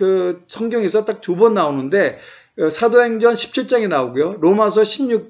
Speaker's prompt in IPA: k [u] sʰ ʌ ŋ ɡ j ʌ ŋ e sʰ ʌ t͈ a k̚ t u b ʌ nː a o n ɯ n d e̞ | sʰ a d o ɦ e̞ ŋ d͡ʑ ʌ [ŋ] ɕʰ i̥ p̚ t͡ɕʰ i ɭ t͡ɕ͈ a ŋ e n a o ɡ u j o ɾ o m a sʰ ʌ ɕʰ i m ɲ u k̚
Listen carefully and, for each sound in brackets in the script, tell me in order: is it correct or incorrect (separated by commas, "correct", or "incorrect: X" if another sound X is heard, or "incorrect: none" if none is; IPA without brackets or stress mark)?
incorrect: ɯ, incorrect: n